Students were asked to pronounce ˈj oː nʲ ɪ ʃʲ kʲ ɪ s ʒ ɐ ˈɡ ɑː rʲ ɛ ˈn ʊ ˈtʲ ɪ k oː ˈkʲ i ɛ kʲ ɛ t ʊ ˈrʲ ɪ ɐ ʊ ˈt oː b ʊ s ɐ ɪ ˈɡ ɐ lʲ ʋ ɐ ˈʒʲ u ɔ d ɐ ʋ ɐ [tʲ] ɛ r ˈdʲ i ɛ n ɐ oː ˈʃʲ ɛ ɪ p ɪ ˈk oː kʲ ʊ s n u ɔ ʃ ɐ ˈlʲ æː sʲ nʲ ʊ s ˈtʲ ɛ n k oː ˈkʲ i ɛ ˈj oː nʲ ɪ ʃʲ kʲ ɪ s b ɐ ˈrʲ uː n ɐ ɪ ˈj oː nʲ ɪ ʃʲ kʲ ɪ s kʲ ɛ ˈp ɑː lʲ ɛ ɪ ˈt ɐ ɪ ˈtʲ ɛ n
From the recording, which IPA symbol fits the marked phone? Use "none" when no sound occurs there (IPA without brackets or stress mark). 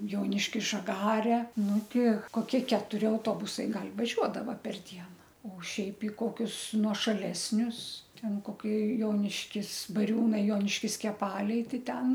pʲ